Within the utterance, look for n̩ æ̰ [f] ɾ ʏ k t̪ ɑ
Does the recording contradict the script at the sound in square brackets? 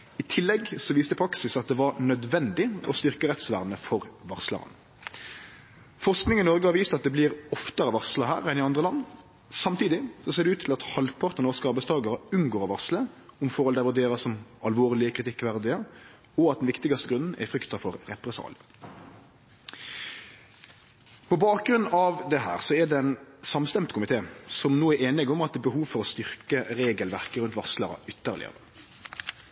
no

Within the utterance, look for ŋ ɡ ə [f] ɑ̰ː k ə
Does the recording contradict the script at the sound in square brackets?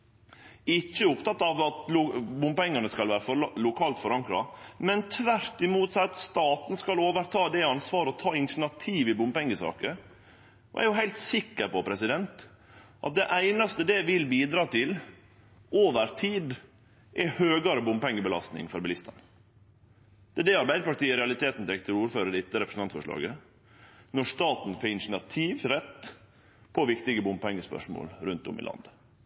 yes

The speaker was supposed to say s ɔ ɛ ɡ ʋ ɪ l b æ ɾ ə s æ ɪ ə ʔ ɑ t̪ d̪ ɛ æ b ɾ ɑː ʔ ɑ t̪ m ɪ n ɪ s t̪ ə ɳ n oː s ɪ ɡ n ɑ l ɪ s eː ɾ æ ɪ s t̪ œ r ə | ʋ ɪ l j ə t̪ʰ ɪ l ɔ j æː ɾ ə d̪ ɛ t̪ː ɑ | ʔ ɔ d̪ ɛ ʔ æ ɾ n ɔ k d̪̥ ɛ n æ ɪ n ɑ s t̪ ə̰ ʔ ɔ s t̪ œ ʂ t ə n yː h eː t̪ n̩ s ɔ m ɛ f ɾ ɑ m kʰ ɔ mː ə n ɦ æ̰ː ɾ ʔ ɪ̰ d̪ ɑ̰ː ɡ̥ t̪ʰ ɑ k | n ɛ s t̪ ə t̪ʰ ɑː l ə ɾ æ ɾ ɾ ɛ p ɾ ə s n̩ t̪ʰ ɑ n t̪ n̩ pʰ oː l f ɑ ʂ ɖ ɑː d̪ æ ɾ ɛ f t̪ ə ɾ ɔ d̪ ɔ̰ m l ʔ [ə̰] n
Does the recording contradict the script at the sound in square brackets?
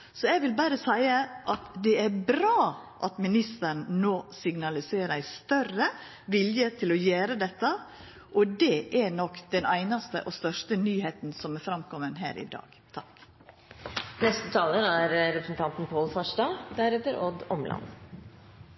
yes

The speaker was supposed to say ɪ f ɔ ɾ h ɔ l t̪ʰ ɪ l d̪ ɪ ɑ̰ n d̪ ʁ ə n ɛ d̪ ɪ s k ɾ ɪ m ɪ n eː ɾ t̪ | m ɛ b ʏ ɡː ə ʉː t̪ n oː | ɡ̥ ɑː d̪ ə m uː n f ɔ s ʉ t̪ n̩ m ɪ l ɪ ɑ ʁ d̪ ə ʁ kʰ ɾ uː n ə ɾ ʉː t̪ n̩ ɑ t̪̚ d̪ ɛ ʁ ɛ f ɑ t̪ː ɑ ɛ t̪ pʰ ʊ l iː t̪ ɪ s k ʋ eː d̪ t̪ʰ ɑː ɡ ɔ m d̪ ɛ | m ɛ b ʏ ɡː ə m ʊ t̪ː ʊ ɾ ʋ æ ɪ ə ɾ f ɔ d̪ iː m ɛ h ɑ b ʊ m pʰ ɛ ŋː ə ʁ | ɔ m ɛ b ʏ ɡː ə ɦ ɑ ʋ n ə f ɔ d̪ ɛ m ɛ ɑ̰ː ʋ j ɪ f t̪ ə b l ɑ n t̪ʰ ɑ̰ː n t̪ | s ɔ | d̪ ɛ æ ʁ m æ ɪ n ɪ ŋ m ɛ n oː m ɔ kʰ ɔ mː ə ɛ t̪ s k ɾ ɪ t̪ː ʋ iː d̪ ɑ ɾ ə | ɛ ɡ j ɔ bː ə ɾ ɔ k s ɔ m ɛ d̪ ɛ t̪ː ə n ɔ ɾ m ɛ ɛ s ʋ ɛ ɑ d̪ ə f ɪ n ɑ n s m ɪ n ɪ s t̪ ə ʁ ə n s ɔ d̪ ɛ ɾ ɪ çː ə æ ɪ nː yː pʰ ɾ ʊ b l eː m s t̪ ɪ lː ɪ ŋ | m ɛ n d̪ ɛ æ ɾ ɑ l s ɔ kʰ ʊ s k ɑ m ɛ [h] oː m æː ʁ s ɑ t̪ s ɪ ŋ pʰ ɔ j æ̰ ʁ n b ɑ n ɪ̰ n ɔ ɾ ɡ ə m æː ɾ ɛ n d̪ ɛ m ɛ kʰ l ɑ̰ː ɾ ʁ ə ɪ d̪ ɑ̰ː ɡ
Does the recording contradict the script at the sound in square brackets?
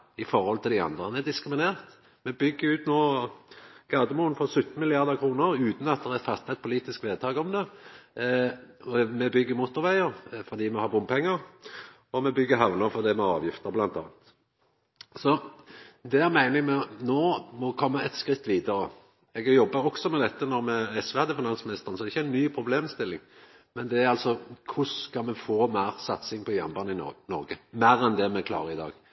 yes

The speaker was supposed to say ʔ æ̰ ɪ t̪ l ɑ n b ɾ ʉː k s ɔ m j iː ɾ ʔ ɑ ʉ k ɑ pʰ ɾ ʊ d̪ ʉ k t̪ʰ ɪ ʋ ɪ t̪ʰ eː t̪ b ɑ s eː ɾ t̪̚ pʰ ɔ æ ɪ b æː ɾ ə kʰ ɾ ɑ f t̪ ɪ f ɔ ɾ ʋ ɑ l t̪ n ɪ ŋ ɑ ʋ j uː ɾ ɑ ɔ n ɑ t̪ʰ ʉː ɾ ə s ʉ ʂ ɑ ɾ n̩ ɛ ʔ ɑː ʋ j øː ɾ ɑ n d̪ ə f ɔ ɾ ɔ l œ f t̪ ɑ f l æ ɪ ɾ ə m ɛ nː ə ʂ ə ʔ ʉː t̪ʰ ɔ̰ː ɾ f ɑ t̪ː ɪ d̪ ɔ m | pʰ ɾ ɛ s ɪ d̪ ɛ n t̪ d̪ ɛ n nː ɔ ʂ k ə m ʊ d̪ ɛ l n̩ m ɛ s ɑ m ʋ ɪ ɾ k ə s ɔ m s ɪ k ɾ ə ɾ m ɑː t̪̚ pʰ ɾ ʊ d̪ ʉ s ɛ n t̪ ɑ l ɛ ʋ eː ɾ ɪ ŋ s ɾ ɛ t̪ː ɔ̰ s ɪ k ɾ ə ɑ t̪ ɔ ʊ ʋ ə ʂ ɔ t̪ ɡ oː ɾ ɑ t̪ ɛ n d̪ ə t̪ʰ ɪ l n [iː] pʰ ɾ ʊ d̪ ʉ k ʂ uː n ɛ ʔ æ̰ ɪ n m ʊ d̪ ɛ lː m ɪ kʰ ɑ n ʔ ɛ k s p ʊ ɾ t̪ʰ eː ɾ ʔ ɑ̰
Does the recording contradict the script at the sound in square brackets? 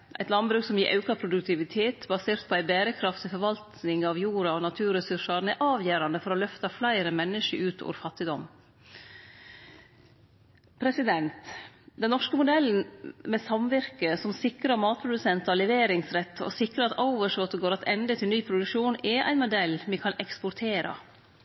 yes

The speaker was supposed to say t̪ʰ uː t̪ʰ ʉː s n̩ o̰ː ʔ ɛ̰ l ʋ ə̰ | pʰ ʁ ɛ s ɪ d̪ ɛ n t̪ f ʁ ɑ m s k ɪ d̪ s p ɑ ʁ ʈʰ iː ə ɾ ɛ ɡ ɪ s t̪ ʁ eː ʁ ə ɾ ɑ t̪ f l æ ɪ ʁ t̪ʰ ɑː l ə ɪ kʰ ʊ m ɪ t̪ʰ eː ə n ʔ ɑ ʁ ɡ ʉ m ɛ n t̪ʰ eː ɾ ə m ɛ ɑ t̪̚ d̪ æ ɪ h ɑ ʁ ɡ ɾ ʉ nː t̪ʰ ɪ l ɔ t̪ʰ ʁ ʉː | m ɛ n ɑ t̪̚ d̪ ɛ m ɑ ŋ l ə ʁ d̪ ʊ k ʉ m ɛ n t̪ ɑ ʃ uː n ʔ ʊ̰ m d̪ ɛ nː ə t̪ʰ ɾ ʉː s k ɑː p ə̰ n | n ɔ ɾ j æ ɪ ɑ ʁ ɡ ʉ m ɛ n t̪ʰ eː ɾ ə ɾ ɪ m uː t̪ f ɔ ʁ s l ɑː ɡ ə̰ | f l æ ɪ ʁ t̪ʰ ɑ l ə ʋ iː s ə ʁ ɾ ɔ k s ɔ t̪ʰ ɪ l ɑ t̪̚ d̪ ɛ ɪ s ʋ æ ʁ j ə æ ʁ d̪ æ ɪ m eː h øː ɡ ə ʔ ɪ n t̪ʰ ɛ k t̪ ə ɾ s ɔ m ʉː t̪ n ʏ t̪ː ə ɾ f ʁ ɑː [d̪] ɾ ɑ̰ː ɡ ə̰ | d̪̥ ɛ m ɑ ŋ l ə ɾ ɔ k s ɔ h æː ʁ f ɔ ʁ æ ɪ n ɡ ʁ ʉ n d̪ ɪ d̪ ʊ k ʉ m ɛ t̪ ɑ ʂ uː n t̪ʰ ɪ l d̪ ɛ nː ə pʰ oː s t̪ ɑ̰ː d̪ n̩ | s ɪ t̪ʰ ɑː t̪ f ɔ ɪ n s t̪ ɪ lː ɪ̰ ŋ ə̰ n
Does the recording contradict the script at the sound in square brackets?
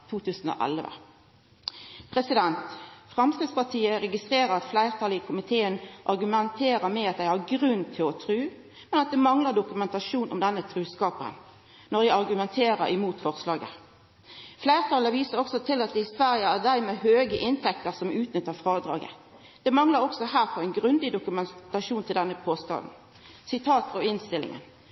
no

